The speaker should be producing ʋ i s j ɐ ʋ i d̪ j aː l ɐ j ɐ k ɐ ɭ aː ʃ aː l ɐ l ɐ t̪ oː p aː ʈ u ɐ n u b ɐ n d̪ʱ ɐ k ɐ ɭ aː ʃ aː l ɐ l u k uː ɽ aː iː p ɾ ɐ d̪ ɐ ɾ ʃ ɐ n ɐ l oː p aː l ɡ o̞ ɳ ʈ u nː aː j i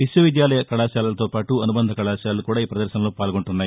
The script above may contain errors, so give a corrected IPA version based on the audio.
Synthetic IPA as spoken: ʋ i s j ɐ ʋ i d̪ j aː l ɐ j ɐ k ɐ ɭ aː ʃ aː l ɐ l ɐ t̪ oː p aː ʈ u ɐ n u b ɐ n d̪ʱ ɐ k ɐ ɭ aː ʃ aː l ɐ l u k uː ɽ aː iː p ɾ ɐ d̪ ɐ ɾ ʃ ɐ n ɐ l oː p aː l ɡ o̞ ɳ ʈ u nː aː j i

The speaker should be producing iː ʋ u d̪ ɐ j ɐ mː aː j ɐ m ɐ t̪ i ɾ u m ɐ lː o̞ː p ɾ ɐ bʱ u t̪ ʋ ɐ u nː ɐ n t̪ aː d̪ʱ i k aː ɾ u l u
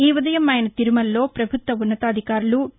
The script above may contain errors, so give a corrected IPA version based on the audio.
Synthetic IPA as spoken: iː ʋ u d̪ ɐ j ɐ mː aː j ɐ n ɐ t̪ i ɾ u m ɐ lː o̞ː p ɾ ɐ bʱ u t̪ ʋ ɐ u nː ɐ t̪ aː d̪ʱ i k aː ɾ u l u

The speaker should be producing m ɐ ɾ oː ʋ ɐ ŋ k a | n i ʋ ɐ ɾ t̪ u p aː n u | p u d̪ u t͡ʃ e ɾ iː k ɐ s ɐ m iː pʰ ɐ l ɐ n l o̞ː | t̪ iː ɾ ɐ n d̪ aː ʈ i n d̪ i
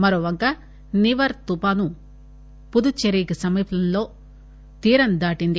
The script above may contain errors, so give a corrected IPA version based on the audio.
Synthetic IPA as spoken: m ɐ ɾ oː ʋ ɐ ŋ k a | n i ʋ ɐ ɾ t̪ u p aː n u | p u d̪ u t͡ʃ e ɾ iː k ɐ s ɐ m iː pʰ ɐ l ɐ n l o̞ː | t̪ iː ɾ ɐ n d̪ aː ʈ i n d̪ i

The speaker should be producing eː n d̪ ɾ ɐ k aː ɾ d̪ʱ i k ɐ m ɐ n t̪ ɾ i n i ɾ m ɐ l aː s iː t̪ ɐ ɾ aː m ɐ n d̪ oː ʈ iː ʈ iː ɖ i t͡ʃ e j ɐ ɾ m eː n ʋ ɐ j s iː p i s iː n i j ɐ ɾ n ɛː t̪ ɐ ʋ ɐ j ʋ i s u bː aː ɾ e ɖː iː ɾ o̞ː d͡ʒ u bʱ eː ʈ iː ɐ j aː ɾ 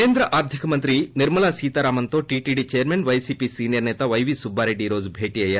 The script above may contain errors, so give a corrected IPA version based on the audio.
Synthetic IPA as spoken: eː n d̪ ɾ ɐ ʔ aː ɾ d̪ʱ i k ɐ m ɐ n t̪ ɾ i n i ɾ m ɐ l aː s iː t̪ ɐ ɾ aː m ɐ n t̪ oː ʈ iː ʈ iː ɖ i t͡ʃ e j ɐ ɾ m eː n ʋ ɐ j s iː p i s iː n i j ɐ ɾ n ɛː t̪ ɐ ʋ ɐ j ʋ i s u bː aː ɾ e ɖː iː ɾ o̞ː d͡ʒ u bʱ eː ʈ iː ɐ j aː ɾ

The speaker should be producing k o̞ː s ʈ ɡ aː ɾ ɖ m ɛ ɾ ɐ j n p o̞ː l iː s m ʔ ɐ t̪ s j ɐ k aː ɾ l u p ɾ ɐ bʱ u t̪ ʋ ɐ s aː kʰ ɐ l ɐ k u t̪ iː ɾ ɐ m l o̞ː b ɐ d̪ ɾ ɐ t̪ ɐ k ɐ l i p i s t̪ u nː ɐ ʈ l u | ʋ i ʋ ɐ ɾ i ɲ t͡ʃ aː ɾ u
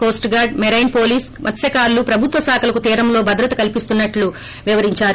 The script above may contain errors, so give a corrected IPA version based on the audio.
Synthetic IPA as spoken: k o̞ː s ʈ ɡ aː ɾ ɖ m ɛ ɾ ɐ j n p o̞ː l iː s m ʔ ɐ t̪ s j ɐ k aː ɾ l u p ɾ ɐ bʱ u t̪ ʋ ɐ s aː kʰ ɐ l ɐ k u t̪ iː ɾ ɐ m l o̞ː b ɐ d̪ ɾ ɐ t̪ ɐ k ɐ l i p i s t̪ u nː ɐ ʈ l u | ʋ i ʋ ɐ ɾ i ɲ t͡ʃ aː ɾ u

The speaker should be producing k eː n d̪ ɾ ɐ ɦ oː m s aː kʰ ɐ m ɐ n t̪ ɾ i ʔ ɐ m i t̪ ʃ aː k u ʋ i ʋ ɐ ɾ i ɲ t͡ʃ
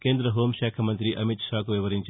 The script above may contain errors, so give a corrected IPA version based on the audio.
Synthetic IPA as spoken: k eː n d̪ ɾ ɐ ɦ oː m ʃ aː kʰ ɐ m ɐ n t̪ ɾ i ʔ ɐ m i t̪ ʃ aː k u ʋ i ʋ ɐ ɾ i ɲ t͡ʃ

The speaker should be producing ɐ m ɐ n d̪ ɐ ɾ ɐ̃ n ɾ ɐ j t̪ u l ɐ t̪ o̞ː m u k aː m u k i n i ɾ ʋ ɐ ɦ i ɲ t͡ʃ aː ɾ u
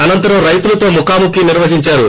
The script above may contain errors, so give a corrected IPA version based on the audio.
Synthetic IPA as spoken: ɐ n ɐ n t̪ ɐ ɾ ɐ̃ m ɾ ɐ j t̪ u l ɐ t̪ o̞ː m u k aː m u k i n i ɾ ʋ ɐ ɦ i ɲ t͡ʃ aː ɾ u

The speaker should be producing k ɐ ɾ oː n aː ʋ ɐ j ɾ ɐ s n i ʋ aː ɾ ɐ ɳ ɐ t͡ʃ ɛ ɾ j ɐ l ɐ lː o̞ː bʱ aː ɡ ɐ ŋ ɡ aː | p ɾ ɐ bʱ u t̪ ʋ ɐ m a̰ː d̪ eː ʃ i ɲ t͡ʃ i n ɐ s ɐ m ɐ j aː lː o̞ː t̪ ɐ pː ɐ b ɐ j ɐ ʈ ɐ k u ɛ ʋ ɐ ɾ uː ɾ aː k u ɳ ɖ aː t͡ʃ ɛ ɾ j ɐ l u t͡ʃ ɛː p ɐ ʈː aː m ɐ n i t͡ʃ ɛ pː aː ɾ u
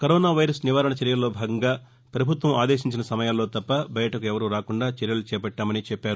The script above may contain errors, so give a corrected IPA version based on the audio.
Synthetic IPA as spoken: k ɐ ɾ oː n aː ʋ ɐ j ɾ ɐ s n i ʋ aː ɾ ɐ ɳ ɐ t͡ʃ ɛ ɾ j ɐ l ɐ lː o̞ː bʱ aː ɡ ɐ ŋ ɡ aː | p ɾ ɐ bʱ u t̪ ʋ ɐ m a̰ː d̪ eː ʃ i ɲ t͡ʃ i n ɐ s ɐ m ɐ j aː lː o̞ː t̪ ɐ pː ɐ b ɐ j ɐ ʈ ɐ k u ɛ ʋ ɐ ɾ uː ɾ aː k u ɳ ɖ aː t͡ʃ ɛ ɾ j ɐ l u t͡ʃ ɛː p ɐ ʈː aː m ɐ n i t͡ʃ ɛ pː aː ɾ u

